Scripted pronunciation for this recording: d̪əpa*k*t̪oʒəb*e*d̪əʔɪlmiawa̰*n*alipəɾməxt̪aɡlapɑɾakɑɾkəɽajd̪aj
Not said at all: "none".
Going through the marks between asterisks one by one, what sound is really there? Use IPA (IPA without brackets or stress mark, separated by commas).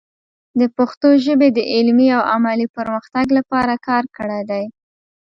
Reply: x, e, m